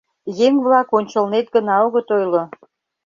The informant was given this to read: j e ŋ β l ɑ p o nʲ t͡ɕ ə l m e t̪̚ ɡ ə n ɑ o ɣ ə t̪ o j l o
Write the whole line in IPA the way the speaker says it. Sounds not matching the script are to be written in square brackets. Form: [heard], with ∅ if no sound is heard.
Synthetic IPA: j e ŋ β l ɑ [k] o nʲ t͡ɕ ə l [n] e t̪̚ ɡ ə n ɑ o ɣ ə t̪ o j l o